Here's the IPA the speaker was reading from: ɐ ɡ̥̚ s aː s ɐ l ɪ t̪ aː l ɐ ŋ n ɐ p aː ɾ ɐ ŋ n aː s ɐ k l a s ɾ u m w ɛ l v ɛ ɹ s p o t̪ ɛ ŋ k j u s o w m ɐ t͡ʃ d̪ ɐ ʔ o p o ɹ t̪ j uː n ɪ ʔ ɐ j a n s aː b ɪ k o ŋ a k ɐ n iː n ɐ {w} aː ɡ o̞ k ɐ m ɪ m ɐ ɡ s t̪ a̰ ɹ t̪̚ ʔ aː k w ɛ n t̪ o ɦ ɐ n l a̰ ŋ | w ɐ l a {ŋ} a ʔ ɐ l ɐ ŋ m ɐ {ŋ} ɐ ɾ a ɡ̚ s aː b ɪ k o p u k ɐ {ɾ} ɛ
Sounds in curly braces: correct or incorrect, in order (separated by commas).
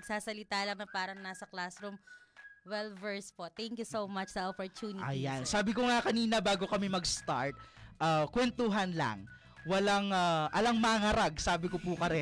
incorrect, correct, correct, correct